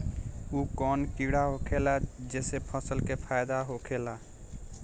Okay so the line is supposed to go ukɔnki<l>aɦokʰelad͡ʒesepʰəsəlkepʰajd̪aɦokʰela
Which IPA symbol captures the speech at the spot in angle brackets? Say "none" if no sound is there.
ɽ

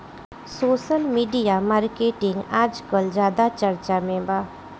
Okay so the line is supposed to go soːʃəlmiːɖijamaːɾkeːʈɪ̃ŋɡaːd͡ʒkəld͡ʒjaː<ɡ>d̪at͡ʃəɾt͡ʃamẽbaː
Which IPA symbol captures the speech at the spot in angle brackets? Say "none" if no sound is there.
none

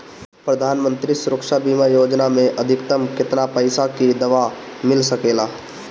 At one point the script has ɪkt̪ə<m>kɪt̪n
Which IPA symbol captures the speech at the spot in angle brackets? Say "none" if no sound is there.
m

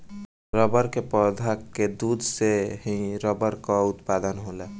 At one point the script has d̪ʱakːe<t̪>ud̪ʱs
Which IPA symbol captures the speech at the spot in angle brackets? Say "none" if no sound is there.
d̪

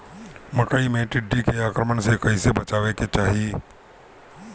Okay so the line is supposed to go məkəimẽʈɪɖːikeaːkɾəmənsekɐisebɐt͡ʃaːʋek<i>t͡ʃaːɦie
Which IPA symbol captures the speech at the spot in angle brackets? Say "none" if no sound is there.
e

